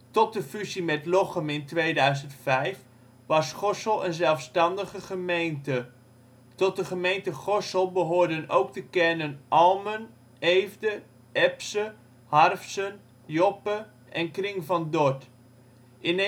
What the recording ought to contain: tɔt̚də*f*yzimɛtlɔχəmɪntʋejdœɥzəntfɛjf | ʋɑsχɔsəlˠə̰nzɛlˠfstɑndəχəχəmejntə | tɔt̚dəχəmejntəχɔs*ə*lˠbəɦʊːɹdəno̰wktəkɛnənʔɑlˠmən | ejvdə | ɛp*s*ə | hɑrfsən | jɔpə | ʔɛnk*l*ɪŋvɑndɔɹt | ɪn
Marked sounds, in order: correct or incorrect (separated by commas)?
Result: correct, correct, correct, incorrect